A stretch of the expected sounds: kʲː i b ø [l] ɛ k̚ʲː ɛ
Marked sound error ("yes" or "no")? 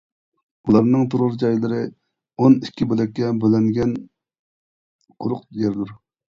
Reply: no